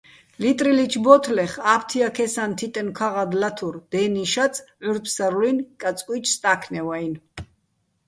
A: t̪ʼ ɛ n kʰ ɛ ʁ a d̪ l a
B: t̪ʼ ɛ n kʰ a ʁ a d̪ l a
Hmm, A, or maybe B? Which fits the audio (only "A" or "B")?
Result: B